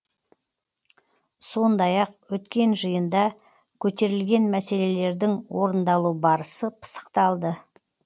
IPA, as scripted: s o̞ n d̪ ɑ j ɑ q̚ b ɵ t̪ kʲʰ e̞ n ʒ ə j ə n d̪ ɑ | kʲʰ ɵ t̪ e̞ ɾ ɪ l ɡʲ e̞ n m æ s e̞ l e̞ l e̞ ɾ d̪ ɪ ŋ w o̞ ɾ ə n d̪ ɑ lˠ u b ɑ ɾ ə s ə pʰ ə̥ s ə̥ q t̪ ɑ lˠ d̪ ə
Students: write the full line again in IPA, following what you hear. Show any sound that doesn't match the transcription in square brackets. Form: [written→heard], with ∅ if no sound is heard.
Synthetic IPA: s o̞ n d̪ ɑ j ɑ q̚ [b→w] ɵ t̪ [kʲʰ→kʲ] e̞ n ʒ ə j ə n d̪ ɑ | kʲʰ ɵ t̪ e̞ ɾ ɪ l ɡʲ e̞ n m æ s e̞ l e̞ l e̞ ɾ d̪ ɪ ŋ w o̞ ɾ ə n d̪ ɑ lˠ u b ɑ ɾ ə s ə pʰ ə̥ s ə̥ q t̪ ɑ lˠ d̪ ə

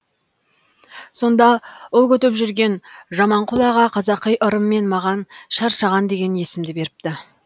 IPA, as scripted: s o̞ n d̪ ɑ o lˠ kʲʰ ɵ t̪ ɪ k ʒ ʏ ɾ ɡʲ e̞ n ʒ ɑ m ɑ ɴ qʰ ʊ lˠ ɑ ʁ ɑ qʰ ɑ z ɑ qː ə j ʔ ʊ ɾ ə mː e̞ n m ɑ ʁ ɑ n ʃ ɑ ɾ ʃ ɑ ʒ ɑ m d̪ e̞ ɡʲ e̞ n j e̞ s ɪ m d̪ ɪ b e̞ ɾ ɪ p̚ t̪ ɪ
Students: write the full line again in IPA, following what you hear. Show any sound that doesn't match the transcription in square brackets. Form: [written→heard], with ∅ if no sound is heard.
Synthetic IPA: s o̞ n d̪ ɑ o lˠ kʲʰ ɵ t̪ ɪ [k→p] ʒ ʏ ɾ ɡʲ e̞ n ʒ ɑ m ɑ ɴ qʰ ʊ lˠ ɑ ʁ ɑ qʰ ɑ z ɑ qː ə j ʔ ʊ ɾ ə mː e̞ n m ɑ ʁ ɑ n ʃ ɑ ɾ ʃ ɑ [ʒ→ʁ] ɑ [m→n] d̪ e̞ ɡʲ e̞ n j e̞ s ɪ m d̪ ɪ b e̞ ɾ ɪ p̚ t̪ ɪ

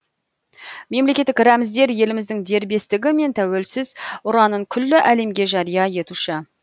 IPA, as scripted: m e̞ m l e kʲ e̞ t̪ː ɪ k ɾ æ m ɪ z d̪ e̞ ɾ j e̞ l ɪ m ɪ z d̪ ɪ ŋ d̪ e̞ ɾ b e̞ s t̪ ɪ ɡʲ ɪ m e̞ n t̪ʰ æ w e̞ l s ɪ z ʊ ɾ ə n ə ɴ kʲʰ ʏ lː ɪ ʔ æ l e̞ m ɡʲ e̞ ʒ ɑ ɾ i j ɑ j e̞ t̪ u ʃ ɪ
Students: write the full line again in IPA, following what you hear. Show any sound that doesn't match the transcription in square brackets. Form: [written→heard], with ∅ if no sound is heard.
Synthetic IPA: m e̞ m l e kʲ e̞ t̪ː ɪ k ɾ æ m ɪ z d̪ e̞ ɾ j e̞ l ɪ m ɪ z d̪ ɪ ŋ d̪ e̞ ɾ b e̞ s t̪ ɪ ɡʲ ɪ m e̞ n t̪ʰ æ w e̞ l s ɪ z ʊ ɾ [ə→ɑ] n ə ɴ kʲʰ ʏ lː ɪ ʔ æ l e̞ m ɡʲ e̞ ʒ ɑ ɾ i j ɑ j e̞ t̪ u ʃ ɪ

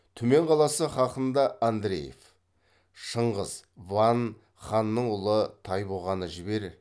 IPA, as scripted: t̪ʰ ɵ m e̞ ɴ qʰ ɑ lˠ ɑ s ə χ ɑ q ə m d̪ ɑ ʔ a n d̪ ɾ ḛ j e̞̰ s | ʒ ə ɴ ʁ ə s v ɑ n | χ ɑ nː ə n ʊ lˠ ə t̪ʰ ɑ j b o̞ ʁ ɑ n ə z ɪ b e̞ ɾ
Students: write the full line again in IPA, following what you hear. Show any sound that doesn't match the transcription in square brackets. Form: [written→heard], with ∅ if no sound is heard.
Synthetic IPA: t̪ʰ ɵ m e̞ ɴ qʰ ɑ lˠ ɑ s ə χ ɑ q ə [m→n] d̪ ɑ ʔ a n d̪ ɾ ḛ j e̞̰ [s→f] | [ʒ→ʃ] ə ɴ ʁ ə [s→z] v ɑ n | χ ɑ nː ə [n→ɴ] ʊ lˠ ə t̪ʰ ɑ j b o̞ ʁ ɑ n ə [z→ʒ] ɪ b e̞ ɾ

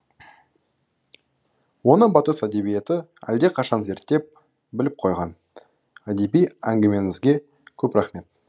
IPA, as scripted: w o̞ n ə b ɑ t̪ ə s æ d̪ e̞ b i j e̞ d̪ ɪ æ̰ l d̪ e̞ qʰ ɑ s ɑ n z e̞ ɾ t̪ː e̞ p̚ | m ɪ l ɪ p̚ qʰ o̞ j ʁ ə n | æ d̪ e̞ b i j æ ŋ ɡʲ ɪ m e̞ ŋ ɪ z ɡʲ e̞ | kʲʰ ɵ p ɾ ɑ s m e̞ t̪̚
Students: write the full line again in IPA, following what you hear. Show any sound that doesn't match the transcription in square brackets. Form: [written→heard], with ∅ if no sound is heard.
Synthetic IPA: w o̞ n ə b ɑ t̪ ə s æ d̪ e̞ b i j e̞ [d̪→t̪] ɪ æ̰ l d̪ e̞ qʰ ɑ [s→ʃ] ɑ n z e̞ ɾ t̪ː e̞ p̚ | [m→b] ɪ l ɪ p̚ qʰ o̞ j ʁ [ə→ɑ] n | æ d̪ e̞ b i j æ ŋ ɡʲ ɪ m e̞ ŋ ɪ z ɡʲ e̞ | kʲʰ ɵ p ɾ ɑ [s→χ] m e̞ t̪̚

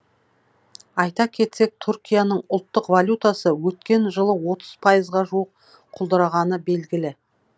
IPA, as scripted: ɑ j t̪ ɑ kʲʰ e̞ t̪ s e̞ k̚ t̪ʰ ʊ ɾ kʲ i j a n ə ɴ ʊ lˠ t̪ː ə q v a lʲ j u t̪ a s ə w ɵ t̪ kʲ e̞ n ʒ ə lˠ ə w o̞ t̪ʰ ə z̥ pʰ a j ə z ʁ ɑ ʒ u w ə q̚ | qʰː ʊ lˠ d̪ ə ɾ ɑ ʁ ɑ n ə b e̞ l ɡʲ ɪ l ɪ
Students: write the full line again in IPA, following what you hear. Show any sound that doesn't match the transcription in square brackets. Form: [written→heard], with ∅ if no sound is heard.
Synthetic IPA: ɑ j t̪ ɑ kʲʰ e̞ t̪ s e̞ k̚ t̪ʰ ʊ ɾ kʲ i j a n ə ɴ ʊ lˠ t̪ː ə q v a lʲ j u t̪ a s ə w ɵ t̪ kʲ e̞ n ʒ ə lˠ ə w o̞ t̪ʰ ə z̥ pʰ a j ə z ʁ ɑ ʒ u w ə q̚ | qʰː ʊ lˠ d̪ ə ɾ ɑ ʁ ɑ n ə b e̞ l ɡʲ ɪ l ɪ

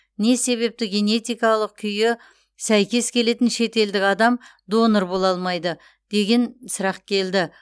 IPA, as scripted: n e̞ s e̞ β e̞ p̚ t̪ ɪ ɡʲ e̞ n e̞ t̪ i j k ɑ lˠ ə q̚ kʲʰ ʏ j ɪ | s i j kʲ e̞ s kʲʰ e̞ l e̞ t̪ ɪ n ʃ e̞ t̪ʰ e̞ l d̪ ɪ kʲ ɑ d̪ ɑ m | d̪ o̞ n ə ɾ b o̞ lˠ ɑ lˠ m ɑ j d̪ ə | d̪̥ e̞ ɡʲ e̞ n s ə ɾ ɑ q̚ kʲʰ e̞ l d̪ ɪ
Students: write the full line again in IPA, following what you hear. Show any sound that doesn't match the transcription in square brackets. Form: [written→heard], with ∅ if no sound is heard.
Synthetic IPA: n e̞ s e̞ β e̞ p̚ t̪ ɪ ɡʲ e̞ n e̞ t̪ i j k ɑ lˠ ə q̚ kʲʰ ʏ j ɪ | s [i→æ] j kʲ e̞ s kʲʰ e̞ l e̞ t̪ ɪ n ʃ e̞ [t̪ʰ→t̪] e̞ l d̪ ɪ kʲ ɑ d̪ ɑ m | d̪ o̞ n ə ɾ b o̞ lˠ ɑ lˠ m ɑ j d̪ ə | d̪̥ e̞ ɡʲ e̞ n s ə ɾ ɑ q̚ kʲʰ e̞ l d̪ ɪ

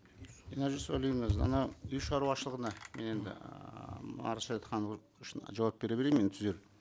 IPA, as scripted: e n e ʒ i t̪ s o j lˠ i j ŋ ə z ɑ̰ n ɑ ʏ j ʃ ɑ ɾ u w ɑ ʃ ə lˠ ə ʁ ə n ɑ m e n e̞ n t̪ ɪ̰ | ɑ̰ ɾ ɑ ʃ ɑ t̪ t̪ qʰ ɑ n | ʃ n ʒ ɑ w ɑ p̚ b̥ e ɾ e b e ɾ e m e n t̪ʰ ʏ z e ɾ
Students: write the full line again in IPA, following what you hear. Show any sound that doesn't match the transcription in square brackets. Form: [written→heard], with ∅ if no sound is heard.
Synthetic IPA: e n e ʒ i [t̪→∅] s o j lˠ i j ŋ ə z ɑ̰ n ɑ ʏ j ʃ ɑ ɾ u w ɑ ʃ ə lˠ ə ʁ ə n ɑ m e n e̞ n [t̪→d̪] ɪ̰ | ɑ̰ ɾ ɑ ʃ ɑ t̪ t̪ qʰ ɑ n | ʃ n ʒ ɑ w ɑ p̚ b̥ e ɾ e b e ɾ e m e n t̪ʰ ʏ z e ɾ

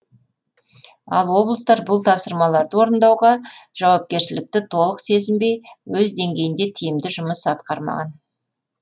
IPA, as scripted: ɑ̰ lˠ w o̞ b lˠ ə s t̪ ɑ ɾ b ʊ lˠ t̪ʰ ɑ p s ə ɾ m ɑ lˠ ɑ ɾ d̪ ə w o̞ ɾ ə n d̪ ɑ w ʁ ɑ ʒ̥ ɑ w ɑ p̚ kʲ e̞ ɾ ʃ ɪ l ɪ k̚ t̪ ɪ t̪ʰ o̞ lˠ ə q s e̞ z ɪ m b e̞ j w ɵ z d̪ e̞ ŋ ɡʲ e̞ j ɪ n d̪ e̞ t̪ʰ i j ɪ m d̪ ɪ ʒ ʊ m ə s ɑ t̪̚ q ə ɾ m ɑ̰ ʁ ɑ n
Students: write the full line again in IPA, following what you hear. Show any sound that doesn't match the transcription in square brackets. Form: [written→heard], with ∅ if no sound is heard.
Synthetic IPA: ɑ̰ lˠ w o̞ b lˠ ə s t̪ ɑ ɾ b ʊ lˠ t̪ʰ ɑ p s ə ɾ m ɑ lˠ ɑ ɾ d̪ ə w o̞ ɾ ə n d̪ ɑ w ʁ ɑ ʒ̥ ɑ w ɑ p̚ kʲ e̞ ɾ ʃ ɪ l ɪ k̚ t̪ ɪ t̪ʰ o̞ lˠ ə q s e̞ z ɪ m b e̞ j w ɵ z d̪ e̞ ŋ ɡʲ e̞ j ɪ n d̪ e̞ t̪ʰ i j ɪ m d̪ ɪ ʒ ʊ m ə s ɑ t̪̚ q [ə→ɑ] ɾ m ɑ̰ ʁ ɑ n

